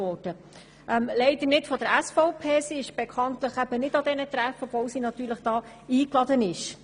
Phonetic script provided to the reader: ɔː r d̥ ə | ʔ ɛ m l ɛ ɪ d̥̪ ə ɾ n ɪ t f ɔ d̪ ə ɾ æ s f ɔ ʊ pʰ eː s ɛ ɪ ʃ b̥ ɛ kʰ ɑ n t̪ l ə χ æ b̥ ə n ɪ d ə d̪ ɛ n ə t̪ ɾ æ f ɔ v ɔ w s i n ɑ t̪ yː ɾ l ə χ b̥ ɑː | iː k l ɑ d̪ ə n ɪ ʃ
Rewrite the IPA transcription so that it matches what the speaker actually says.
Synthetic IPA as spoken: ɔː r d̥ ə | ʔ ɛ m l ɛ ɪ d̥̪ ə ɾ n ɪ t f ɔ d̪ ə ɾ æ s f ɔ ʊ pʰ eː s i ɪ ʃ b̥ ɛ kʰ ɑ n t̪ l ə χ æ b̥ ə n ɪ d ɑ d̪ ɛ n ə t̪ ɾ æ f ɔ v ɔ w s i n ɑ t̪ yː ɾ l ə χ d̥ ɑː | iː k l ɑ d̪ ə n ɪ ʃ